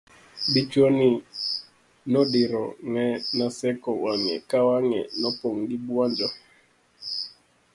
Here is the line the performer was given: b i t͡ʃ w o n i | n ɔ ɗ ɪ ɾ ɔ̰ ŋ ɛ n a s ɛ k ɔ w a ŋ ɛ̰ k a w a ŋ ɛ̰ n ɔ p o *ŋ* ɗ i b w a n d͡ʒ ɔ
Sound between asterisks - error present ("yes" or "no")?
no